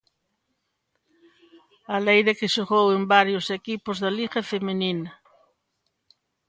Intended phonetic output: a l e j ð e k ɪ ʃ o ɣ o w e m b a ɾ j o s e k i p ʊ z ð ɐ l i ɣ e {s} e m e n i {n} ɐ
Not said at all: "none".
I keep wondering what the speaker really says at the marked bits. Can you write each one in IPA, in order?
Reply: f, n

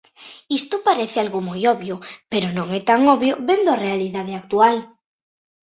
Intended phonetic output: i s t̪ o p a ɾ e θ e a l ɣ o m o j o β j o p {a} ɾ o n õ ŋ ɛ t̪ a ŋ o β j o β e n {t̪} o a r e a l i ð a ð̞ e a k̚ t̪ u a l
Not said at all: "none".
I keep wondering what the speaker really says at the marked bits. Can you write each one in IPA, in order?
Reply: e, d̪

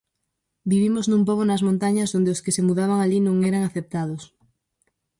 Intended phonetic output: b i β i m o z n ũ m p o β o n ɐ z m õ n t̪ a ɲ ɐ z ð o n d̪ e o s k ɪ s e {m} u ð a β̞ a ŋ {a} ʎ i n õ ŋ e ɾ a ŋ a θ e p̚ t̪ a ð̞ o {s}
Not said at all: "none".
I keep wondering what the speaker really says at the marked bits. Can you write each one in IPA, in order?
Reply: m, a, s

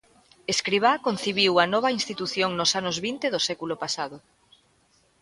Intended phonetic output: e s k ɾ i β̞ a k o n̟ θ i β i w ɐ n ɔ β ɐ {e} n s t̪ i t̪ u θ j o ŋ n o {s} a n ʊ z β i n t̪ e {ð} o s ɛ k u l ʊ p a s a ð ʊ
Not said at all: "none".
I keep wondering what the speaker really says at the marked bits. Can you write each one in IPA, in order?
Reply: i, s, ð

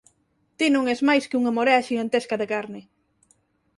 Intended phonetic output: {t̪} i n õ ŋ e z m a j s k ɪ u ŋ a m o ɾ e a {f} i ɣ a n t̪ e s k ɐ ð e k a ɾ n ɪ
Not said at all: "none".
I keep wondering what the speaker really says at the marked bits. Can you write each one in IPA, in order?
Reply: t̪, ʃ

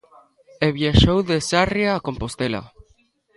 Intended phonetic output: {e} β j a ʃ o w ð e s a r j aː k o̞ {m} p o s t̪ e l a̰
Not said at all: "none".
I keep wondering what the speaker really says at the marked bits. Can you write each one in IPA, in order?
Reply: e, m

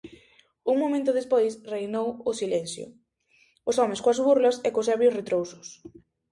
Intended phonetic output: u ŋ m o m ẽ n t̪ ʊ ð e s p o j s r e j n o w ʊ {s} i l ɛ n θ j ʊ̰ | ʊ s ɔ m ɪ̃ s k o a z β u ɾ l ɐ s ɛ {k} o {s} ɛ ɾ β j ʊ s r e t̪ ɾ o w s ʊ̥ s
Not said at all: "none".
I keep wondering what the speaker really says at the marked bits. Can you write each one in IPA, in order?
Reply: s, k, s

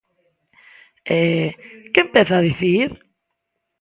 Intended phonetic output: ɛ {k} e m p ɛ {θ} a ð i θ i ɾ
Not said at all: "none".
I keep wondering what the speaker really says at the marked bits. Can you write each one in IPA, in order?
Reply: k, θ

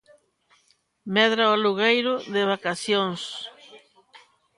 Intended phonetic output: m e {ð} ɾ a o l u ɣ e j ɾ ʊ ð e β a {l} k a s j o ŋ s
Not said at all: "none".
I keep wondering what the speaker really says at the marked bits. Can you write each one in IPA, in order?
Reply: ð, none

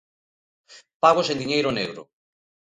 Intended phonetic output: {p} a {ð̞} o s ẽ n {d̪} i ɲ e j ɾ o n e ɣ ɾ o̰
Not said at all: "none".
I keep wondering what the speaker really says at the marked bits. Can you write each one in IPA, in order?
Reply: p, ɣ̞, d̪

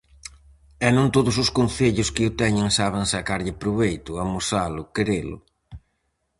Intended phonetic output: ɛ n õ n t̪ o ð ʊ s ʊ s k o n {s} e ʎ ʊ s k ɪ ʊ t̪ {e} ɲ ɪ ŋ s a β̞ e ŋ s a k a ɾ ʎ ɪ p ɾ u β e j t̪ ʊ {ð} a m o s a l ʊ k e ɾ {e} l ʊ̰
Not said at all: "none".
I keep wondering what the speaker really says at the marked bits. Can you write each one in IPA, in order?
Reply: θ, ɛ, none, e

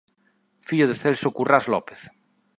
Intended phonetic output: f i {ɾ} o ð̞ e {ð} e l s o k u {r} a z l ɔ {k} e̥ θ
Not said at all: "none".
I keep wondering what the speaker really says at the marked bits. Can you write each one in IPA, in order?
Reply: ʎ, θ, r, p

